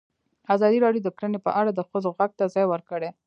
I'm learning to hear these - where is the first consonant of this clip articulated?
tongue tip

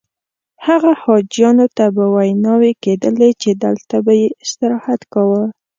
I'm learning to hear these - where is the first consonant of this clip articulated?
throat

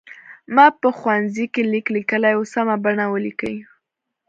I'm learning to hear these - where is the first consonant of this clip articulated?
lips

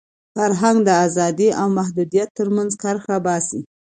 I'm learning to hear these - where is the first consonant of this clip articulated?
lips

